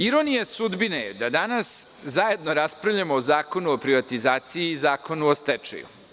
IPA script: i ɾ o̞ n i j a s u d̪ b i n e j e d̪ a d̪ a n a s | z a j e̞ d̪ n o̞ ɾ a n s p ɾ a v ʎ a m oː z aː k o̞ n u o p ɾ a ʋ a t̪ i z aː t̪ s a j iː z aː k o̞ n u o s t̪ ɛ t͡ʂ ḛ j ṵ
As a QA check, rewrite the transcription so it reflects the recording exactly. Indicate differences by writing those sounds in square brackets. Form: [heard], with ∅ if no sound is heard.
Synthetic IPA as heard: i ɾ o̞ n i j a s u d̪ b i n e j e d̪ a d̪ a n a s | z a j e̞ d̪ n o̞ ɾ a [∅] s p ɾ a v ʎ a m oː z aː k o̞ n u o p ɾ [i] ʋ a t̪ i z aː t̪ s [i] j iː z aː k o̞ n u o s t̪ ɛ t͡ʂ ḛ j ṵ